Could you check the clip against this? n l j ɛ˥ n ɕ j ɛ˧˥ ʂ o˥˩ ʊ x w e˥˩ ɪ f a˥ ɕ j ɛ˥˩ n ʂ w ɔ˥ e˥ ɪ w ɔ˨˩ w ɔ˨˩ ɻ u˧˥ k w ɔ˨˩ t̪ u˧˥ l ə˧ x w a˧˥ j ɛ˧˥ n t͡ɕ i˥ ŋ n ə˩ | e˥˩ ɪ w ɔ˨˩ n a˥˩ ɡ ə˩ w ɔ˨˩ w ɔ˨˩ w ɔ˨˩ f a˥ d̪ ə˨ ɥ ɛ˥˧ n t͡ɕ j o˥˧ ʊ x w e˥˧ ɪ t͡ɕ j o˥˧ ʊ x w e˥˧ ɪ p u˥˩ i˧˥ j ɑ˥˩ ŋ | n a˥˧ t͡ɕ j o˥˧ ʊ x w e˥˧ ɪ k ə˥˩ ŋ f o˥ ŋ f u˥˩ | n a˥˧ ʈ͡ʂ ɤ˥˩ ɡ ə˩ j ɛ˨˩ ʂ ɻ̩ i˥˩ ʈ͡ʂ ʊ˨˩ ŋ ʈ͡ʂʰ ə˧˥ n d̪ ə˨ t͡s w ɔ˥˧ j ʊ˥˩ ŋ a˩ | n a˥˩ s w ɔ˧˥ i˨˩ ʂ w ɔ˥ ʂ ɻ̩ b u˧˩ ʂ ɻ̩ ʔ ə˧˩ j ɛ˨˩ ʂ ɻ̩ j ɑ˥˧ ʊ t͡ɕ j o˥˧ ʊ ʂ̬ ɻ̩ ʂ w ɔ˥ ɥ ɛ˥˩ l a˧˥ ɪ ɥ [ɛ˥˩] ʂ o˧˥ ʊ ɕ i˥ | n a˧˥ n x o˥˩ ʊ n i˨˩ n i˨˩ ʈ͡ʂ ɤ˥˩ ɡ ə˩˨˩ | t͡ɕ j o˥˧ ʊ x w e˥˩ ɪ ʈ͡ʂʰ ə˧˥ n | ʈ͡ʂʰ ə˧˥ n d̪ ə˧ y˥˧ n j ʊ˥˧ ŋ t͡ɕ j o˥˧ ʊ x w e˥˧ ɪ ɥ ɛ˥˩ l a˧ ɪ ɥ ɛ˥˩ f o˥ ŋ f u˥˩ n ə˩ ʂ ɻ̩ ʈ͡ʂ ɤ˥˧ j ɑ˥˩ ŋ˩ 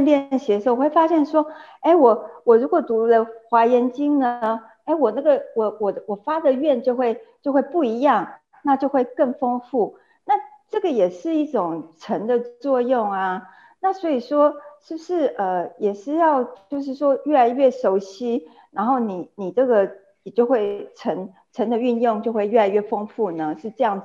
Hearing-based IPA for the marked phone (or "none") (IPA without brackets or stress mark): ɛ˥˩